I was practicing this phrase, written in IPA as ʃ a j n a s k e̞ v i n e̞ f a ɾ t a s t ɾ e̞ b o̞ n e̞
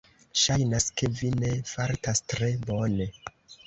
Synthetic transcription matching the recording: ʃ a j n a s k e̞ v i n e̞ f a ɾ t a s t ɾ e̞ b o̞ n e̞